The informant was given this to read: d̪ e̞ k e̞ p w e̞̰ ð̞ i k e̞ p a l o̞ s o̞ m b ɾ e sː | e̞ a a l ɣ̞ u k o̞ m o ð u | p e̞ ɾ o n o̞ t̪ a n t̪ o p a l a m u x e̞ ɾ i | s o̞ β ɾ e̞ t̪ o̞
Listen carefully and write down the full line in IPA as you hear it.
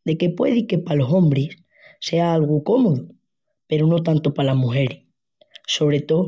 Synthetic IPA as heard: d̪ e̞ k e̞ p w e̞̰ ð̞ i k e̞ p a l o̞ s o̞ m b ɾ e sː | e̞ a a l ɣ̞ u k o̞ m o ð u | p e̞ ɾ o n o̞ t̪ a n t̪ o p a l a m u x e̞ ɾ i | s o̞ β ɾ e̞ t̪ o̞